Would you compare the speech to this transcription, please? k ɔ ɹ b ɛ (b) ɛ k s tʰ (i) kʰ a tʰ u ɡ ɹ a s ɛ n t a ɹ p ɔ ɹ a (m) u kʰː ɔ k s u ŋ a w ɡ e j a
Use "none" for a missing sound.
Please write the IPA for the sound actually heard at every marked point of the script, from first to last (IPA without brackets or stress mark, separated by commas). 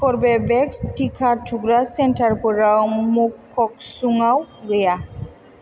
b, i, m